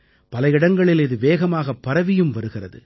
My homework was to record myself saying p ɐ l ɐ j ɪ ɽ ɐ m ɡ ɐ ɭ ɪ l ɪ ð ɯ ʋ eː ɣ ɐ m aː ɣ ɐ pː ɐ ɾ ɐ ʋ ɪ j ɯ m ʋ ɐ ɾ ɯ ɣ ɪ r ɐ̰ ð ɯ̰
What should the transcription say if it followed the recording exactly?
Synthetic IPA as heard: p ɐ l ɐ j ɪ ɽ ɐ ŋ ɡ ɐ ɭ ɪ l ɪ ð ɯ ʋ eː ɣ ɐ m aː ɣ ɐ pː ɐ ɾ ɐ ʋ ɪ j ɯ m ʋ ɐ ɾ ɯ ɣ ɪ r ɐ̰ ð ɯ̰